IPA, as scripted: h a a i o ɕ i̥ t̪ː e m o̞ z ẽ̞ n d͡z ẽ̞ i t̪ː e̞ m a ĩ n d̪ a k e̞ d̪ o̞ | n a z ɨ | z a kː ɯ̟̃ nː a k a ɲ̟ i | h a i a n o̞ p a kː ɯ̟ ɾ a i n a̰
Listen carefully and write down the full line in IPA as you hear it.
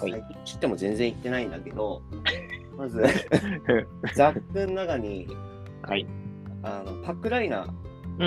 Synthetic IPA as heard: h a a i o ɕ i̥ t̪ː e m o̞ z ẽ̞ n d͡z ẽ̞ i t̪ː e̞ n a ĩ n d̪ a k e̞ d̪ o̞ | m a z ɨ | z a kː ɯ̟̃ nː a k a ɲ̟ i | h a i a n o̞ p a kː ɯ̟ ɾ a i n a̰